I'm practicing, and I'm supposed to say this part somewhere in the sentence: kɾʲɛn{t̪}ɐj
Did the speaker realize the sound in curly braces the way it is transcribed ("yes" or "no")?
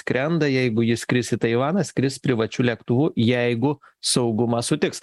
no